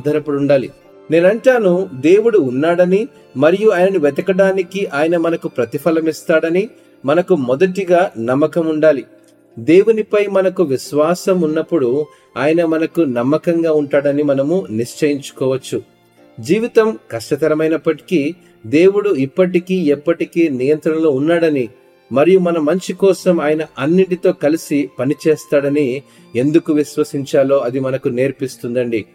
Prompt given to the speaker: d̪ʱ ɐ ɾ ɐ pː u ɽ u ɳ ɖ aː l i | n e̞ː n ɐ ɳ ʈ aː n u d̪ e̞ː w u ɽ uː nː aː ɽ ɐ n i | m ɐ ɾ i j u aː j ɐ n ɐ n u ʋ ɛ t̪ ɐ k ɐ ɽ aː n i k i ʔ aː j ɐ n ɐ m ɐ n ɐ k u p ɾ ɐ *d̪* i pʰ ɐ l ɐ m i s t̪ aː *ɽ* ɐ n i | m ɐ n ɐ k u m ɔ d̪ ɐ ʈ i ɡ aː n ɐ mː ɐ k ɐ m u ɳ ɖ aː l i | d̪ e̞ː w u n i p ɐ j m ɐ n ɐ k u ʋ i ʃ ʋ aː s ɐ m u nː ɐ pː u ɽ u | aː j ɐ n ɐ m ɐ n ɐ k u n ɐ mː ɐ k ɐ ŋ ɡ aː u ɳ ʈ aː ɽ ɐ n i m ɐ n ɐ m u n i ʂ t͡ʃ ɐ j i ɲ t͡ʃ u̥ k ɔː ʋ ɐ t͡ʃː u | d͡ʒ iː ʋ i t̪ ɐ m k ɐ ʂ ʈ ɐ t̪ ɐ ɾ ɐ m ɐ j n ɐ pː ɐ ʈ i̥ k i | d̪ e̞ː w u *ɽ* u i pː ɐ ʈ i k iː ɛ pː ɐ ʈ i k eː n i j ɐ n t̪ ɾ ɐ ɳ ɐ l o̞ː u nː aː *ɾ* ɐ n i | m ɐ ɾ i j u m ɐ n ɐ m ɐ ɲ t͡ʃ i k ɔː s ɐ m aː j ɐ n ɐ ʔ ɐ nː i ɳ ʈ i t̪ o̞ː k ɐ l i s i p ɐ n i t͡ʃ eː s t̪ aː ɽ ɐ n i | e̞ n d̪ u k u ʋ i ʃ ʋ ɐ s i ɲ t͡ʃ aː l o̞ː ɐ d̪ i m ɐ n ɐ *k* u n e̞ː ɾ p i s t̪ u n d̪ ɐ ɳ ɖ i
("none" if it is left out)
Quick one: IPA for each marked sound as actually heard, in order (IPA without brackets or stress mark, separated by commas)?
t̪, ɽ, ɽ, ɽ, k